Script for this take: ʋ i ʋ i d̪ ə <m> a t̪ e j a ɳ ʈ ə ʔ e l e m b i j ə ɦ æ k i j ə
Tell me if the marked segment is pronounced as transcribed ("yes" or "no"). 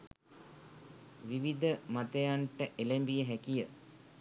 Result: yes